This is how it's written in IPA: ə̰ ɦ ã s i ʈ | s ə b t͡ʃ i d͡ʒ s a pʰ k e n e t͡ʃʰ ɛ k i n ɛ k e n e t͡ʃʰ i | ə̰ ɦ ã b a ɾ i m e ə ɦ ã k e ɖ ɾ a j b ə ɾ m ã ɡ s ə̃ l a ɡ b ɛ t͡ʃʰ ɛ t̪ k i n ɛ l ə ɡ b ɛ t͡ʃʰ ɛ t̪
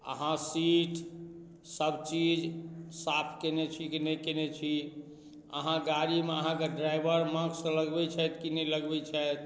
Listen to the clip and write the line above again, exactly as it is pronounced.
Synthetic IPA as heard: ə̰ ɦ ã s i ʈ | s ə b t͡ʃ i d͡ʒ s a pʰ k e n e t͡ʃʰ i k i n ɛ k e n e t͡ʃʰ i | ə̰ ɦ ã ɡ a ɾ i m e ə ɦ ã k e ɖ ɾ a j b ə ɾ m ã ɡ s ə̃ l ə ɡ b ɛ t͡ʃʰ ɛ t̪ k i n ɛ l ə ɡ b ɛ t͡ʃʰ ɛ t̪